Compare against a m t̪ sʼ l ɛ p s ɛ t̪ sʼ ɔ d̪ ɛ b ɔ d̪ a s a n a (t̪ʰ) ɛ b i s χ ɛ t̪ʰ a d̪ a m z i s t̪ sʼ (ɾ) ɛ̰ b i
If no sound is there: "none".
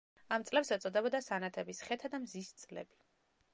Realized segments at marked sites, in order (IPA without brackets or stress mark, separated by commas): t̪ʰ, l